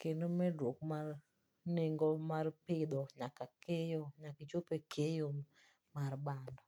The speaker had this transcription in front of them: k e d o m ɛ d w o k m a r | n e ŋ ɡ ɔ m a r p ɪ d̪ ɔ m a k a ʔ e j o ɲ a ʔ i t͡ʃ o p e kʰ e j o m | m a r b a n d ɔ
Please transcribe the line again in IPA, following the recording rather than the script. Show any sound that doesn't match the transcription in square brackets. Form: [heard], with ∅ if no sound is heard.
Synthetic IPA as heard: k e [n] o m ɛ d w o k m a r | n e ŋ ɡ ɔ m a r p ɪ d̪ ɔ [ɲ] a k a [k] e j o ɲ a [k] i t͡ʃ o p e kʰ e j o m | m a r b a n d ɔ